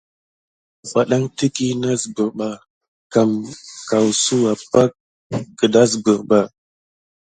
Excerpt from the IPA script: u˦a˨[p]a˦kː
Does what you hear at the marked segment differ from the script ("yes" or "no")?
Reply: no